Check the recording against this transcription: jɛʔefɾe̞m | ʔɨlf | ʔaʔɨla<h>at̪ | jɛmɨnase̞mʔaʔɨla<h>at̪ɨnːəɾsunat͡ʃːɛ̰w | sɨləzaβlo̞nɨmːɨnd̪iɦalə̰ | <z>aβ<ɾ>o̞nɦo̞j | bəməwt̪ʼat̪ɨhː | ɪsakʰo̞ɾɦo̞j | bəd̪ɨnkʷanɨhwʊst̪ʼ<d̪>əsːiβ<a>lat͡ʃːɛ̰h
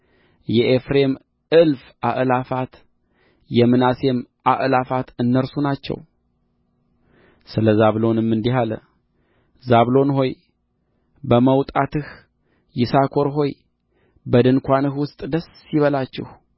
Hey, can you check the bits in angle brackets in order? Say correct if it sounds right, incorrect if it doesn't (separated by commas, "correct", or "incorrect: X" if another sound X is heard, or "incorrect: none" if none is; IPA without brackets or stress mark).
incorrect: f, incorrect: f, correct, incorrect: l, correct, incorrect: ə